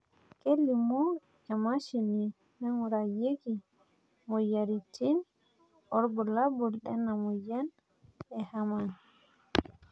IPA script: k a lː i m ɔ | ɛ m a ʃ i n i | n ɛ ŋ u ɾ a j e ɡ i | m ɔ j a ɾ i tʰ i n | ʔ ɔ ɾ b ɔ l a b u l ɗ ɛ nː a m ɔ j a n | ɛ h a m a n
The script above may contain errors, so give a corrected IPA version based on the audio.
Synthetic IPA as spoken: k e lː i m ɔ | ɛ m a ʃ i n i | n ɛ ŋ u ɾ a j e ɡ i | m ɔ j a ɾ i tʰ i n | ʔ ɔ ɾ b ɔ l a b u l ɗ ɛ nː a m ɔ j a n | ɛ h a m a n